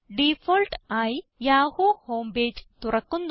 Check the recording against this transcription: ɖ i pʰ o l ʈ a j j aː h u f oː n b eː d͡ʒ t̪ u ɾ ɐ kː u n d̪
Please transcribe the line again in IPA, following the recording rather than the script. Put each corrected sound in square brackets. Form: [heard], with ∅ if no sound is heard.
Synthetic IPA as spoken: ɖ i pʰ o l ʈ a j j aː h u [h] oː [m] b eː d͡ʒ t̪ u ɾ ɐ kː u n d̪